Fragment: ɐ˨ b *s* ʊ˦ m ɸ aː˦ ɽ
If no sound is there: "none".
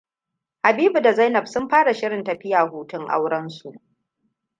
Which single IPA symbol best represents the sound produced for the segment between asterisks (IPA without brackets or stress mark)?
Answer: s